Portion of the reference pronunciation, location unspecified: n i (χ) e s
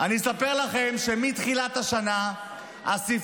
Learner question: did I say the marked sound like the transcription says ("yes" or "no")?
no